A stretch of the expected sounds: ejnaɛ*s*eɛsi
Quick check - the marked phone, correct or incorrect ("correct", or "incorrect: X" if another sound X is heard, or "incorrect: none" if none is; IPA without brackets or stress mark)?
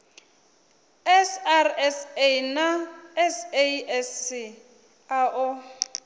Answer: correct